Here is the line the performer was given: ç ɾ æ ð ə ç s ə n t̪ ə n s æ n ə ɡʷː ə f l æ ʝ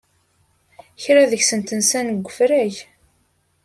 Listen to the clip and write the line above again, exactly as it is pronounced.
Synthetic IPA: ç ɾ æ ð ə ç s ə n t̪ ə n s æ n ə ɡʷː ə f ɾ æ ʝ